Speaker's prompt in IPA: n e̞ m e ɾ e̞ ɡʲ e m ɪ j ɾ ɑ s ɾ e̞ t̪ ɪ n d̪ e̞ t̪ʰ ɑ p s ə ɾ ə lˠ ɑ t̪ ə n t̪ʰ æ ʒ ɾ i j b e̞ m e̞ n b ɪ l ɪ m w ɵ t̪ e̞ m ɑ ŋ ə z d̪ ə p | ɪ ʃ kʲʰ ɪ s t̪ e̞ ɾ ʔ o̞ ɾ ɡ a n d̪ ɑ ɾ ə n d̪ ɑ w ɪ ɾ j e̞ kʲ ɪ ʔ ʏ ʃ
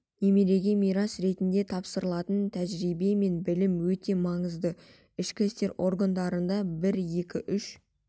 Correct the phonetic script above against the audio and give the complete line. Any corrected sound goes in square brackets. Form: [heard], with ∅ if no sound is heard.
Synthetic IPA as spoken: n e̞ m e ɾ e̞ ɡʲ e m [i] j ɾ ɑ s ɾ e̞ t̪ ɪ n d̪ e̞ t̪ʰ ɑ p s ə ɾ ə lˠ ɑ t̪ ə n t̪ʰ æ ʒ ɾ i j b e̞ m e̞ n b ɪ l ɪ m w ɵ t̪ e̞ m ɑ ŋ ə z d̪ ə [∅] | ɪ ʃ [kʲ] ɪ s t̪ e̞ ɾ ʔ o̞ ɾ ɡ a n d̪ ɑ ɾ ə n d̪ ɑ [b] ɪ ɾ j e̞ kʲ ɪ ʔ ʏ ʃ

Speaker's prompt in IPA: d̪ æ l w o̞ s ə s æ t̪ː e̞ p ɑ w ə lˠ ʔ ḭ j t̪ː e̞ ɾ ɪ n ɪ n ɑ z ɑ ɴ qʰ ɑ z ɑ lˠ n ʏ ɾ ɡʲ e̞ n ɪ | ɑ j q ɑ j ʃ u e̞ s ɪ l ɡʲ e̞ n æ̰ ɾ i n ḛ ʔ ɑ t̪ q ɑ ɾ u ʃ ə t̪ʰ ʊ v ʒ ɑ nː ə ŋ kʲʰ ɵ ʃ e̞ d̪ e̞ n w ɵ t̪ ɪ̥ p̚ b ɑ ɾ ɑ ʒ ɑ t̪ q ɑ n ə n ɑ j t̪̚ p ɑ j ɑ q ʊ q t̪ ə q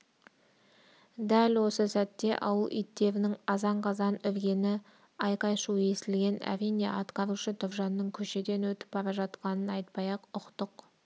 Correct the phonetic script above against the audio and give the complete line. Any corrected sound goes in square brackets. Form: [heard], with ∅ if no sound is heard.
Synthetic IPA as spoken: d̪ æ l w o̞ s ə s æ t̪ː e̞ [ʔ] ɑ w ə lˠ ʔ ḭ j t̪ː e̞ ɾ ɪ n ɪ [ŋ] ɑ z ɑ ɴ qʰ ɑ z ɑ [∅] n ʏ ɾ ɡʲ e̞ n ɪ | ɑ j q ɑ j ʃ u e̞ s ɪ l ɡʲ e̞ n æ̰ ɾ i n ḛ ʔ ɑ t̪ q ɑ ɾ u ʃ ə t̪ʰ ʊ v ʒ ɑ nː ə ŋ kʲʰ ɵ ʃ e̞ d̪ e̞ n w ɵ t̪ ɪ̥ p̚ b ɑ ɾ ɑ ʒ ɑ t̪ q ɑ n ə n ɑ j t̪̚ p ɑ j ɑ q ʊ q t̪ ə q

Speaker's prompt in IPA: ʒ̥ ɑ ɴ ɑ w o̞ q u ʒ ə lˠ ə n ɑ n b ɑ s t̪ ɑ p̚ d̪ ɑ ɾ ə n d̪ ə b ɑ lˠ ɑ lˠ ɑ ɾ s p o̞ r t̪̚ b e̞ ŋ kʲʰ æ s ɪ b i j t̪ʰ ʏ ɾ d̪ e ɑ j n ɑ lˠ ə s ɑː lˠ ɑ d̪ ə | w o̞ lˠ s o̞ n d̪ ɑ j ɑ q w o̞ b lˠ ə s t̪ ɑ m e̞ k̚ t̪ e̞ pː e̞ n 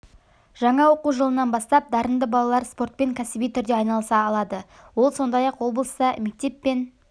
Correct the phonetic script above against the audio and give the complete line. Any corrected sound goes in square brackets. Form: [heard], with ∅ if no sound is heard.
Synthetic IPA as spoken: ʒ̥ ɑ ɴ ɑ w o̞ q u ʒ ə lˠ ə n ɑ n b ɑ s t̪ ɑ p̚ d̪ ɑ ɾ ə n d̪ ə b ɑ lˠ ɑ lˠ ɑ ɾ s p o̞ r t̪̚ [p] e̞ ŋ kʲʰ æ s ɪ b i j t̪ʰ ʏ ɾ d̪ e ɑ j n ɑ lˠ ə s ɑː lˠ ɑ d̪ ə | w o̞ lˠ s o̞ n d̪ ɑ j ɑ q w o̞ b lˠ ə s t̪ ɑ m e̞ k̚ t̪ e̞ pː e̞ n

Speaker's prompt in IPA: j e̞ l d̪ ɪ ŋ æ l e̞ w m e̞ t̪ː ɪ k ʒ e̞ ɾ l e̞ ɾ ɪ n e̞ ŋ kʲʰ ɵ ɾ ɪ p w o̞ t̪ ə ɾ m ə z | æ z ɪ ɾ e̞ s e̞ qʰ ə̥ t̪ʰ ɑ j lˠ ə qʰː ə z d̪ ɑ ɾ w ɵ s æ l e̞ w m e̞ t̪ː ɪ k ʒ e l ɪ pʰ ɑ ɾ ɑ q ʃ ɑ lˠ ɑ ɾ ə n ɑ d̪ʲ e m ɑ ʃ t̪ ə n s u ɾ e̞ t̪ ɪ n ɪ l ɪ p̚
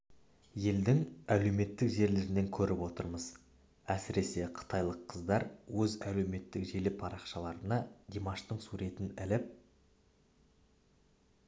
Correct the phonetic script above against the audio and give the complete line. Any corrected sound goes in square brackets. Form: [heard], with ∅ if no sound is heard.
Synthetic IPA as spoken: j e̞ l d̪ ɪ ŋ æ l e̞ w m e̞ t̪ː ɪ k ʒ e̞ ɾ l e̞ ɾ ɪ n e̞ ŋ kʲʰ ɵ ɾ ɪ p w o̞ t̪ ə ɾ m ə z | æ [s] ɪ ɾ e̞ s e̞ qʰ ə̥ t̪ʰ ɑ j lˠ ə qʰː ə z d̪ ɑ ɾ w ɵ [z] æ l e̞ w m e̞ t̪ː ɪ k ʒ e l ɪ pʰ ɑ ɾ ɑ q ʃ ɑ lˠ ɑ ɾ ə n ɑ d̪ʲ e m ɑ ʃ t̪ ə [ɴ] s u ɾ e̞ t̪ ɪ n ɪ l ɪ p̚

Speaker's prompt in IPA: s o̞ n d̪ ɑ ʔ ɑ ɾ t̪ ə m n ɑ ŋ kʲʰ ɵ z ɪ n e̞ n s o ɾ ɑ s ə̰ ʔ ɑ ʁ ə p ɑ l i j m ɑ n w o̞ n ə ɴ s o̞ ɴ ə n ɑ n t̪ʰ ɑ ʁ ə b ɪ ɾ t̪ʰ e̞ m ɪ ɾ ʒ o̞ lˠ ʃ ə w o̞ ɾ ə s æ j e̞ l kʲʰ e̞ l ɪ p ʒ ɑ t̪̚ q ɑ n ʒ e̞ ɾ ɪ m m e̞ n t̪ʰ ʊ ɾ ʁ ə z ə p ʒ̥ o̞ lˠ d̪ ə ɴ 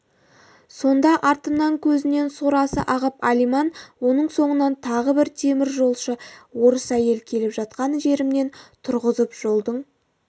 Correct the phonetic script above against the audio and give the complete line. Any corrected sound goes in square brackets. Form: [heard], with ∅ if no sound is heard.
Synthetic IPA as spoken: s o̞ n d̪ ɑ ʔ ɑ ɾ t̪ ə m n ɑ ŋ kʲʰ ɵ z ɪ n e̞ n s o ɾ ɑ s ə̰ ʔ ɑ ʁ ə p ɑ l i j m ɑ n w o̞ n ə ɴ s o̞ ɴ ə n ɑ n t̪ʰ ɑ ʁ ə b ɪ ɾ t̪ʰ e̞ m ɪ ɾ ʒ o̞ lˠ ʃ ə w o̞ ɾ ə s æ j e̞ l kʲʰ e̞ l ɪ p ʒ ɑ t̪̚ q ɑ n ʒ e̞ ɾ ɪ m [n] e̞ n t̪ʰ ʊ ɾ ʁ ə z ə p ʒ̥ o̞ lˠ d̪ ə ɴ

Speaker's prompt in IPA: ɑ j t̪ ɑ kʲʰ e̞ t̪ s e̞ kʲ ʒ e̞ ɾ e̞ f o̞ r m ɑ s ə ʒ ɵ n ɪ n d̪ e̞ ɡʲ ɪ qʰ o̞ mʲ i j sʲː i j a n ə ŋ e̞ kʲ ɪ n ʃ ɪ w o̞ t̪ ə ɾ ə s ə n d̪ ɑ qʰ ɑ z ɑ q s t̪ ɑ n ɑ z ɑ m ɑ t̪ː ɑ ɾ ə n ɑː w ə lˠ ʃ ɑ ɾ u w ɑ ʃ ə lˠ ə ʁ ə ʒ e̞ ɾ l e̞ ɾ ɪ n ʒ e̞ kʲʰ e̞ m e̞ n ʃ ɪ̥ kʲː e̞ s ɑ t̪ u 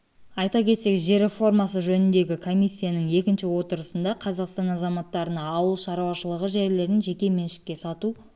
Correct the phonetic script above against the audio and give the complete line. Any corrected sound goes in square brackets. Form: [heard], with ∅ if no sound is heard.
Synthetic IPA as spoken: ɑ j t̪ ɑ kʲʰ e̞ t̪ s e̞ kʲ ʒ e̞ ɾ e̞ f o̞ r m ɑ s ə ʒ ɵ n ɪ n d̪ e̞ ɡʲ ɪ [kʰ] o̞ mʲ i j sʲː i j a n ə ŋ e̞ kʲ ɪ n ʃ ɪ w o̞ t̪ ə ɾ ə s ə n d̪ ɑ qʰ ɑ z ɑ q s t̪ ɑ n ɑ z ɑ m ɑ t̪ː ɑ ɾ ə n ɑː w ə lˠ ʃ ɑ ɾ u w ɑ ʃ ə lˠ ə ʁ ə ʒ e̞ ɾ l e̞ ɾ ɪ n ʒ e̞ [kʲ] e̞ m e̞ n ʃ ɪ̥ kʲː e̞ s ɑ t̪ u

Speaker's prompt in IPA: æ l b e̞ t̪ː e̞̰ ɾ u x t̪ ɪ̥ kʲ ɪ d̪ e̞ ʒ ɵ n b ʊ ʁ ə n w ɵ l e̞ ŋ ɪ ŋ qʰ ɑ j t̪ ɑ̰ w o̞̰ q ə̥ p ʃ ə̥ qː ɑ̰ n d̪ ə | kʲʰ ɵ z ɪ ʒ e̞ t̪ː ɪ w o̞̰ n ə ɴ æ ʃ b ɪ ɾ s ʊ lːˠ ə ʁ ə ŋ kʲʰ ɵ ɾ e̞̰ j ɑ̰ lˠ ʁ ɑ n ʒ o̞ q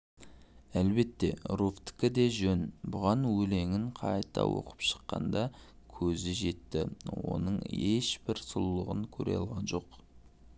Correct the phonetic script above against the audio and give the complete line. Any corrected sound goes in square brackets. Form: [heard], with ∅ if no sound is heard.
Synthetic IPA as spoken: æ l b e̞ t̪ː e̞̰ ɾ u [f] t̪ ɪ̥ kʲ ɪ d̪ e̞ ʒ ɵ n b ʊ ʁ [ɑ] n w ɵ l e̞ ŋ ɪ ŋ qʰ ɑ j t̪ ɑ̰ w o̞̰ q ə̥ p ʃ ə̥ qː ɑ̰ n d̪ [ɑ] | kʲʰ ɵ z ɪ ʒ e̞ t̪ː ɪ w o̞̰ n ə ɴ [e] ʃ b ɪ ɾ s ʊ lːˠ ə ʁ ə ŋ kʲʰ ɵ ɾ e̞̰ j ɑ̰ lˠ ʁ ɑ n ʒ o̞ q

